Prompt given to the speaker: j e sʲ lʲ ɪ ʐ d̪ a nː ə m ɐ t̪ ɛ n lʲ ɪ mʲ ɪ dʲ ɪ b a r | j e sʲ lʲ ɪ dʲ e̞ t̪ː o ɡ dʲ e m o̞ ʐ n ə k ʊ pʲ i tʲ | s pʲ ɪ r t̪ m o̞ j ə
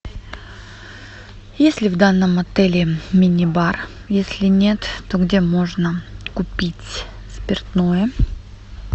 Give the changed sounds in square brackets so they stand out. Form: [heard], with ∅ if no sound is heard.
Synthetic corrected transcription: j e sʲ lʲ ɪ [v] d̪ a nː ə m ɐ t̪ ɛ [∅] lʲ ɪ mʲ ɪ [nʲ] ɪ b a r | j e sʲ lʲ ɪ [nʲ] e̞ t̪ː o ɡ dʲ e m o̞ ʐ n ə k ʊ pʲ i tʲ | s pʲ ɪ r t̪ [n] o̞ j ə